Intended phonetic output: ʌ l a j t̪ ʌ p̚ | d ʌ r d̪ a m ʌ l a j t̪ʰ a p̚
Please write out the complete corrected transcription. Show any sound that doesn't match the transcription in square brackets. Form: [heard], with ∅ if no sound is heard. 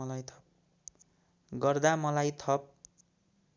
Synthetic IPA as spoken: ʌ l a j [t̪ʰ] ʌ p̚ | [ɡ] ʌ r d̪ a m ʌ l a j t̪ʰ [ʌ] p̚